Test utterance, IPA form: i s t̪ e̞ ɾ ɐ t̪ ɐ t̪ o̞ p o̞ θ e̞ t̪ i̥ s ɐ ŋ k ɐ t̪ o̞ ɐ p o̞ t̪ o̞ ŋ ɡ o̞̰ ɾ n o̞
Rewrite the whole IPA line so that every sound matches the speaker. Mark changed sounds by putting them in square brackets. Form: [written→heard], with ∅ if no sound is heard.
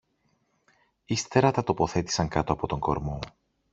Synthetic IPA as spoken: i s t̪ e̞ ɾ ɐ t̪ ɐ t̪ o̞ p o̞ θ e̞ t̪ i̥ s ɐ ŋ k ɐ t̪ o̞ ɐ p o̞ t̪ o̞ ŋ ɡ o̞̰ ɾ [n→m] o̞